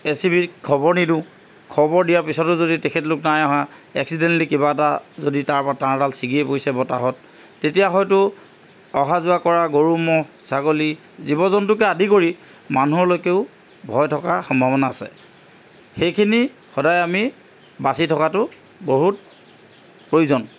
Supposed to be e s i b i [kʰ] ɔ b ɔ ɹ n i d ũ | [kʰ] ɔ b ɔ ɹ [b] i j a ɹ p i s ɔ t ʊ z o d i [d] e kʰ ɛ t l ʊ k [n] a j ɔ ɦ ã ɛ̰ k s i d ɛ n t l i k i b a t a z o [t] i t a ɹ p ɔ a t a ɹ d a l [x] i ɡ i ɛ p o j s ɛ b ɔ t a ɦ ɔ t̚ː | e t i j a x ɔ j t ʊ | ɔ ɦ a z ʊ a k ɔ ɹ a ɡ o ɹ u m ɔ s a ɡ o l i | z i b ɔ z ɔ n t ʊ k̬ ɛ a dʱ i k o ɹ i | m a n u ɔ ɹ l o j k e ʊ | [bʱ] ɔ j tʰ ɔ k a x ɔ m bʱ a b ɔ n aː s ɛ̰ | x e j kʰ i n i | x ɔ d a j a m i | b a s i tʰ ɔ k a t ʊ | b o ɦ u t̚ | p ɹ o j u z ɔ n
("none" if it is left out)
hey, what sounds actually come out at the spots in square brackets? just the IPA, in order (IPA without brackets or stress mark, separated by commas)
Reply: kʰ, kʰ, d, t, n, d, s, bʱ